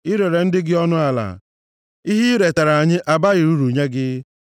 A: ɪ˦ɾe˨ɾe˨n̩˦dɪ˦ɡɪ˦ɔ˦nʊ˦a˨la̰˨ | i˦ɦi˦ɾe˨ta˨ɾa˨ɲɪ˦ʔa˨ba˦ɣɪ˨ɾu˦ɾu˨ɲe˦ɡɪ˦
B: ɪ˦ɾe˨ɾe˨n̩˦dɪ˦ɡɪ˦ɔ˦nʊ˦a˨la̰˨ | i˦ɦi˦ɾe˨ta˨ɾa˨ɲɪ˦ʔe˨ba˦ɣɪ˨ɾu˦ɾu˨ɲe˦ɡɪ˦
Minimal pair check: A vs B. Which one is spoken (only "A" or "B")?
A